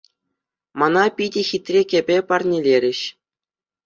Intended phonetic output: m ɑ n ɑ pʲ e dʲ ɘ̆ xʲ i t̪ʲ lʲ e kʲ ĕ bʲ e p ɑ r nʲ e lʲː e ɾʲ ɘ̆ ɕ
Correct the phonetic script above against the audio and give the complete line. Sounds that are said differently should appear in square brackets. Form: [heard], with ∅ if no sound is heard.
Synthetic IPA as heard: m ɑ n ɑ pʲ [i] dʲ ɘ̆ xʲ i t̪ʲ [rʲ] e kʲ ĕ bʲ e p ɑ r nʲ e [lʲ] e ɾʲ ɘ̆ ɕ